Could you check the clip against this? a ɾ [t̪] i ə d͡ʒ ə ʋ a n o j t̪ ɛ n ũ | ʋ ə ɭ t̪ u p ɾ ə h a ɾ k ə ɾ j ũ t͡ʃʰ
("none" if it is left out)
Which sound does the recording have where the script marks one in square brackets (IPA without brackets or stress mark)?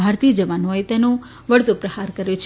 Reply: t̪